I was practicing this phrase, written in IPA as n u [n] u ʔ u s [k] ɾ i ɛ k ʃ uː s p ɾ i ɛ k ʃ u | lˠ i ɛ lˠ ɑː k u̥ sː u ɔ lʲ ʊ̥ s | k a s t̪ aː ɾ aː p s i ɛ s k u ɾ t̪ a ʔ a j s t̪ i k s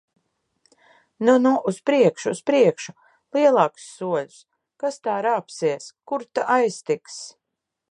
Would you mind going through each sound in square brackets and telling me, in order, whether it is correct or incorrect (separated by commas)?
correct, incorrect